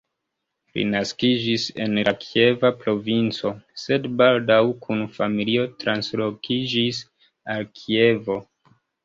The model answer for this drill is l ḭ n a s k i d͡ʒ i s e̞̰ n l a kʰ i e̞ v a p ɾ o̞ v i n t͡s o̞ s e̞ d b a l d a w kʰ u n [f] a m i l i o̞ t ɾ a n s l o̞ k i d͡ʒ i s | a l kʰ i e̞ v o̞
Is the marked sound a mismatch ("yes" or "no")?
no